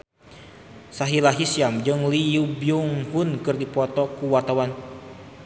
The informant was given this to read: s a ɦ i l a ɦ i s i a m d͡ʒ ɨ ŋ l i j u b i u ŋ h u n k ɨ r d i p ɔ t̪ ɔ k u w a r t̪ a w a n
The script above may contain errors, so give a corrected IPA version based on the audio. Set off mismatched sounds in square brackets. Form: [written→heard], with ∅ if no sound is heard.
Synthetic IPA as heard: s a ɦ i l a ɦ i s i a m d͡ʒ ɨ ŋ l i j u b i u ŋ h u n k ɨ r d i p ɔ t̪ ɔ k u w a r t̪ a w a n